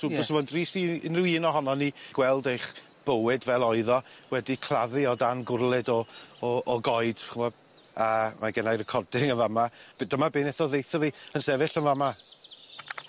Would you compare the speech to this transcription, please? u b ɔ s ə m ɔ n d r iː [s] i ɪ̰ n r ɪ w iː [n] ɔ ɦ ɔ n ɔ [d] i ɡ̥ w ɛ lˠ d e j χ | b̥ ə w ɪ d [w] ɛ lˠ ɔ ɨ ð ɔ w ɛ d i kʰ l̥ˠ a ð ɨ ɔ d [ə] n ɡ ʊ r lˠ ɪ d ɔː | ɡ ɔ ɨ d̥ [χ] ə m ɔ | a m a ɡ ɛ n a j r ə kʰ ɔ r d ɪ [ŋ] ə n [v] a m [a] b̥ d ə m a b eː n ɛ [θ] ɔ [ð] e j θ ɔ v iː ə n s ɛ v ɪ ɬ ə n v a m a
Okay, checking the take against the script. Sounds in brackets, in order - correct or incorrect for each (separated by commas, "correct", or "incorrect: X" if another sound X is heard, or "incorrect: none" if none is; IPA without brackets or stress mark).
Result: correct, correct, incorrect: n, incorrect: v, incorrect: a, correct, correct, correct, correct, correct, correct